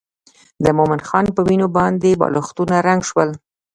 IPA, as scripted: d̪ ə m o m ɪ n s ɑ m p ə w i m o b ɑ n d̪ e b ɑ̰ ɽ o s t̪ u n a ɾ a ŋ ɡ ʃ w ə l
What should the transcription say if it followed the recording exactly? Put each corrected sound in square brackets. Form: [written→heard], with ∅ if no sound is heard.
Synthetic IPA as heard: d̪ ə m o m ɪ n [s→x] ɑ [m→n] p ə w i [m→n] o b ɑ n d̪ e b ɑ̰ [ɽ→l] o [s→x] t̪ u n a ɾ a ŋ ɡ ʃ w ə l